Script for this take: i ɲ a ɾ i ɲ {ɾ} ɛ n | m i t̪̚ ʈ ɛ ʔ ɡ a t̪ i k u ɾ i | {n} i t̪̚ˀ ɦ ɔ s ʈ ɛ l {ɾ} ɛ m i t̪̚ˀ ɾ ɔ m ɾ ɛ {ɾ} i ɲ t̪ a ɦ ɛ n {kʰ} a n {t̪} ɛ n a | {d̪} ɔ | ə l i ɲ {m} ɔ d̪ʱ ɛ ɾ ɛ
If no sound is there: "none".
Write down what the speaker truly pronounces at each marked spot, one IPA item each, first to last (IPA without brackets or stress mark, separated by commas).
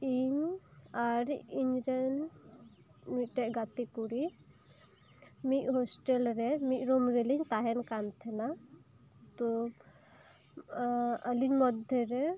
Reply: ɾ, m, ɾ, l, k, t̪ʰ, t̪, m